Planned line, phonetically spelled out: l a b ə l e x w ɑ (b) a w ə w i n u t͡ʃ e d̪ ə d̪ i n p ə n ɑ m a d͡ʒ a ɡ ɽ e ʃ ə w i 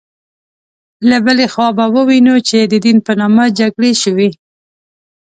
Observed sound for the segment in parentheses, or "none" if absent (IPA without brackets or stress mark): b